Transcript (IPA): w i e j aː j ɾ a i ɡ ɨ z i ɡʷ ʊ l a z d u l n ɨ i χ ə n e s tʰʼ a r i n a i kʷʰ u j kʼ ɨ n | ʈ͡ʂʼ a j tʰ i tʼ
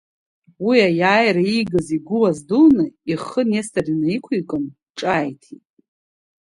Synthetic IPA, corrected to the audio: w i a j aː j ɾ a i ɡ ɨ z i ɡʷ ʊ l a z d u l n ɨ i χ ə n e s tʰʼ a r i n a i kʷʰ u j kʼ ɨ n | ʈ͡ʂʼ a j tʰ i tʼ